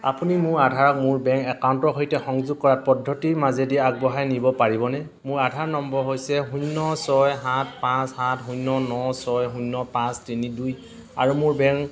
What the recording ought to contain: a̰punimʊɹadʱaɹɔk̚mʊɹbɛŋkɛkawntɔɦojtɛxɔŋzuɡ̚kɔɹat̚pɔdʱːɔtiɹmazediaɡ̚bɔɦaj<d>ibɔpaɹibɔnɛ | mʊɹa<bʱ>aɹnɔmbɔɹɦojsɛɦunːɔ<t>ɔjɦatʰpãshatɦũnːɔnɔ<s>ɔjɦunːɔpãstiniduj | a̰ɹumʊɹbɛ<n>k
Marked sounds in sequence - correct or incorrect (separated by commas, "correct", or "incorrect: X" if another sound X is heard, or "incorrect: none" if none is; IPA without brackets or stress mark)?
incorrect: n, incorrect: dʱ, incorrect: s, correct, incorrect: ŋ